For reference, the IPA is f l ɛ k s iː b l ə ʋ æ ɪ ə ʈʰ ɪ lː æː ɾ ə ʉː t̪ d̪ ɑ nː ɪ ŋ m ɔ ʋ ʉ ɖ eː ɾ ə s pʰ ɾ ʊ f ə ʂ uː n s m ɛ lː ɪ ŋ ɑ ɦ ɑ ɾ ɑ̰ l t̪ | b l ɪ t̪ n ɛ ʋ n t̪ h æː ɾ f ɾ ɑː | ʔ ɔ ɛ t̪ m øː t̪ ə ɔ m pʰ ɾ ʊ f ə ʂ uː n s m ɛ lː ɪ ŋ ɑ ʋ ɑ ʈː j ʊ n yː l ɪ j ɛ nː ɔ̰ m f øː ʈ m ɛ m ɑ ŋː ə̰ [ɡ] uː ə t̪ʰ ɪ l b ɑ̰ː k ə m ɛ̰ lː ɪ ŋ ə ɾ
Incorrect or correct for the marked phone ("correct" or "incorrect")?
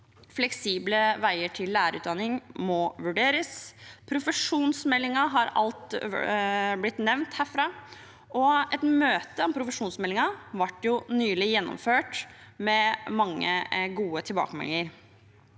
correct